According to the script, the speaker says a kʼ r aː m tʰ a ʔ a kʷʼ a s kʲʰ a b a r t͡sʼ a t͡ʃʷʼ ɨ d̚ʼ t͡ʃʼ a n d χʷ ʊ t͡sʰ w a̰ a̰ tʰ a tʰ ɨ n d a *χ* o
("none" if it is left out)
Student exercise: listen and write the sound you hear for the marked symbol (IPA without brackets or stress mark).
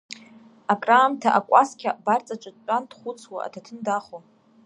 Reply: χ